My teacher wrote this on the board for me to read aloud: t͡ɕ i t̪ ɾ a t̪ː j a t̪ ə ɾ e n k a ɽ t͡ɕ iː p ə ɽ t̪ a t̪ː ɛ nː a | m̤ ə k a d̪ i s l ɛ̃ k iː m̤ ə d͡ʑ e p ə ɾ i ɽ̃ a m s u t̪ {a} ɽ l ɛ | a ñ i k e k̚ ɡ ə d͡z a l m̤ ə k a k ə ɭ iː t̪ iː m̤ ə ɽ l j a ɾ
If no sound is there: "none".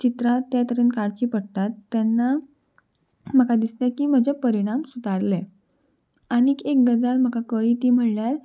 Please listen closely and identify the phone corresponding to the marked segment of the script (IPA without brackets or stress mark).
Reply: a